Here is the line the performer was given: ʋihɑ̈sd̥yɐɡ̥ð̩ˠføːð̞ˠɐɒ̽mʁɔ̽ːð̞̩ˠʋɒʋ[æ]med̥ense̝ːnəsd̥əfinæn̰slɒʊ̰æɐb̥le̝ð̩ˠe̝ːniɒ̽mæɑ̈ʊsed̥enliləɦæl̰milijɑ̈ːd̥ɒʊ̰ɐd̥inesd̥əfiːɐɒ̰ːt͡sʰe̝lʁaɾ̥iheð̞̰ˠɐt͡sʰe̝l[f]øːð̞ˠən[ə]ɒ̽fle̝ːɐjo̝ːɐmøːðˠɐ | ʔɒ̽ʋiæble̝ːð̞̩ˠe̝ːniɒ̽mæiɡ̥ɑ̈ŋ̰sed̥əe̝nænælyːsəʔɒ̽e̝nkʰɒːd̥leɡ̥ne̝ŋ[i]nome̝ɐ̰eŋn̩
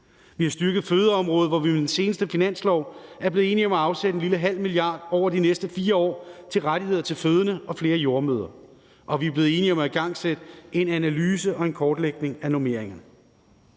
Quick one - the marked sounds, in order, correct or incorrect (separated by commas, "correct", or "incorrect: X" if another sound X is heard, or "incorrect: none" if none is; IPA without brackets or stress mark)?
incorrect: i, correct, correct, incorrect: æ